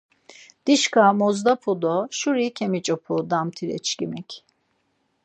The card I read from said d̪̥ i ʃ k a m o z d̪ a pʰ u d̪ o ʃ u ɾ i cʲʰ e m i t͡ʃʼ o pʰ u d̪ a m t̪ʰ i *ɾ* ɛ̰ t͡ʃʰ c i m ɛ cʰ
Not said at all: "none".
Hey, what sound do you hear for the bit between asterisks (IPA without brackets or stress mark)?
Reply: ɾ